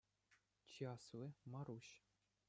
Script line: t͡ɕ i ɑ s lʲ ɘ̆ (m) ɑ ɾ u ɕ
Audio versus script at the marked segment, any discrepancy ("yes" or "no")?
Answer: no